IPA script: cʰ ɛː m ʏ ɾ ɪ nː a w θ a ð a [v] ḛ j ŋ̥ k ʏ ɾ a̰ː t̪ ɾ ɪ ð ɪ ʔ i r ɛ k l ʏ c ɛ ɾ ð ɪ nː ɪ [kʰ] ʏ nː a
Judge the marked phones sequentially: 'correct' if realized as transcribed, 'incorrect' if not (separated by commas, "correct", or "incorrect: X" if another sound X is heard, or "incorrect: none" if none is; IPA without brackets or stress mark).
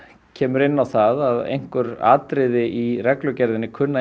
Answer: incorrect: ð, correct